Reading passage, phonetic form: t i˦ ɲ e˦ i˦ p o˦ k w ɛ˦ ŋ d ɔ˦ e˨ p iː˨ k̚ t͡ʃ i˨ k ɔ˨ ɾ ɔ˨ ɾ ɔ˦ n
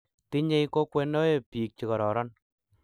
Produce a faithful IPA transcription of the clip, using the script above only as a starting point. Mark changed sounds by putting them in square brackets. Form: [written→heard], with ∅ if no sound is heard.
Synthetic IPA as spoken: t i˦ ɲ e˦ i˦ [p→k] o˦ k w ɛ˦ [ŋ→n] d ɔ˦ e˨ p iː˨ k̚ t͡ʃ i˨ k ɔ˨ ɾ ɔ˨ ɾ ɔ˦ n